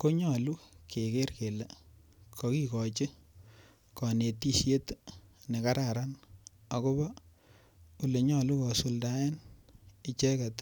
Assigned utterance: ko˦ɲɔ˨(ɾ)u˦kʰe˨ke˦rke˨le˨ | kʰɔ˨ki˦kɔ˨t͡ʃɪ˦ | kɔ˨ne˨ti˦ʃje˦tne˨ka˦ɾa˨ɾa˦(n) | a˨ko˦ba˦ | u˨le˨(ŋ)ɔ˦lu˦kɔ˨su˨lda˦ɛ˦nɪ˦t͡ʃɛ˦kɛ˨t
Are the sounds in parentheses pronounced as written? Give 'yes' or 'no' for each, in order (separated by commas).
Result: no, yes, no